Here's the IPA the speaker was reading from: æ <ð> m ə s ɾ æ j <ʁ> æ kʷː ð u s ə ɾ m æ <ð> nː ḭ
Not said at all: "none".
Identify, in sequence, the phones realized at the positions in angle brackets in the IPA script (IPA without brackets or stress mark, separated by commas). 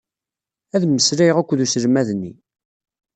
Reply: ð, ʁ, ð